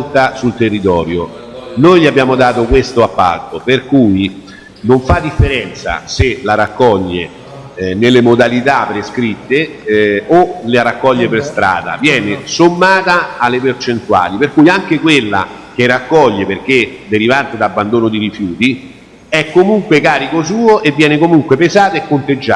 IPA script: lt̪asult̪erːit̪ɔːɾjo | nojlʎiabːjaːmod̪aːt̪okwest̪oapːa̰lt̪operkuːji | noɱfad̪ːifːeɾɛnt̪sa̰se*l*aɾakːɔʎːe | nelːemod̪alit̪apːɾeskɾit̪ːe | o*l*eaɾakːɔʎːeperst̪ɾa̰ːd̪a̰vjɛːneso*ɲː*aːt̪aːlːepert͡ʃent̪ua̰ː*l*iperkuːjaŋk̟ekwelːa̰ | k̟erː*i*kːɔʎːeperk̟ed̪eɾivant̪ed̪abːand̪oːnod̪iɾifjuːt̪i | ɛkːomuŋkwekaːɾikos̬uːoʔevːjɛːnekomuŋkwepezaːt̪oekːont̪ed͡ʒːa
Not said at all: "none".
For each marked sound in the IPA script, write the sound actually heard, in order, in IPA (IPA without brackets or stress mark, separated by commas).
l, l, mː, l, a